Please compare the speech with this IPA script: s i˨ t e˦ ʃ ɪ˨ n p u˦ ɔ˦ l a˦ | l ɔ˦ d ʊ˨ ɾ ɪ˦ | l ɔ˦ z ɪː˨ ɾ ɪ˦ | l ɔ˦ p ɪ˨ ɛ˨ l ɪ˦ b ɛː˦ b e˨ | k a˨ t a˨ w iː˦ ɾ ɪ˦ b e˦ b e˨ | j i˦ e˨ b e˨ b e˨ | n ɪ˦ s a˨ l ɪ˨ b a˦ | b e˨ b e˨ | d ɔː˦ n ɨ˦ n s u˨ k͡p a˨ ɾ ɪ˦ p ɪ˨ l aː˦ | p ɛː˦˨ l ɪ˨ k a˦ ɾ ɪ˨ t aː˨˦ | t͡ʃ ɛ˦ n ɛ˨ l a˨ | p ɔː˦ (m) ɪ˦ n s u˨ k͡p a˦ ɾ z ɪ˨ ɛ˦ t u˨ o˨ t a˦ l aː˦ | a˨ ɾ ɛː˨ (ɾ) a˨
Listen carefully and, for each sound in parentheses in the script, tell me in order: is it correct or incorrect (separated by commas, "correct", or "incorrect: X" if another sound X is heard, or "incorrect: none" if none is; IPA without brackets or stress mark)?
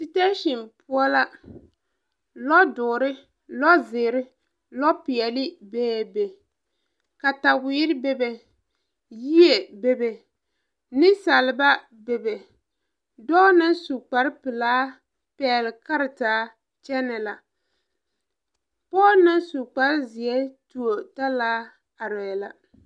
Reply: incorrect: n, incorrect: l